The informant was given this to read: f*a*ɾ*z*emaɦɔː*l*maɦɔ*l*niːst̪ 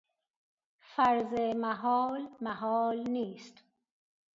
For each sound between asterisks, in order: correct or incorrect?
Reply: correct, correct, correct, correct

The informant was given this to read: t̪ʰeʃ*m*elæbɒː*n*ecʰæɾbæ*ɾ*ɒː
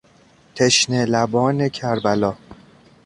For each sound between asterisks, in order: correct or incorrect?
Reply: incorrect, correct, incorrect

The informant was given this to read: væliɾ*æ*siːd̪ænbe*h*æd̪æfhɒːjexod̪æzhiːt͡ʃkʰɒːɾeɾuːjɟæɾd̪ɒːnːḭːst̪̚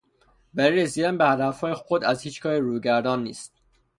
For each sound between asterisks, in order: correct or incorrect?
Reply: incorrect, correct

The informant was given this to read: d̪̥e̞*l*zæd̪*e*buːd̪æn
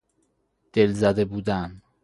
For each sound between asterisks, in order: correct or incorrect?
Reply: correct, correct

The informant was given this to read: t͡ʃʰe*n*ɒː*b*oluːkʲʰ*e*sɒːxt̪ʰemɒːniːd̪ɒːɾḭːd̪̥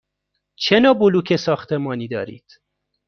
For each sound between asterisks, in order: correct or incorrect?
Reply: correct, correct, correct

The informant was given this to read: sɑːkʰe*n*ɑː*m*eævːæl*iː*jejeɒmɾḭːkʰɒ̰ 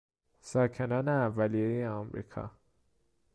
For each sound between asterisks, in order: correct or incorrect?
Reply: correct, incorrect, incorrect

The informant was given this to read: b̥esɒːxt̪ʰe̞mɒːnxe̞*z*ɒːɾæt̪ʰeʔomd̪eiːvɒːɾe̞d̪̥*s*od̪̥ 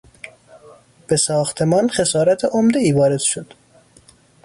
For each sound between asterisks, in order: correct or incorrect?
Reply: incorrect, incorrect

